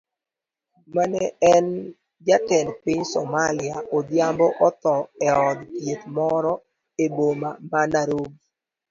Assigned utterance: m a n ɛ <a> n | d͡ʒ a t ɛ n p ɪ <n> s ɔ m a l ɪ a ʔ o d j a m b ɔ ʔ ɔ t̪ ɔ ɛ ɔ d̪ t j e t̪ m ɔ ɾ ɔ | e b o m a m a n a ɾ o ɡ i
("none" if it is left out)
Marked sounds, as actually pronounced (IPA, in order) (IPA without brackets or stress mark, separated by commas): ɛ, ɲ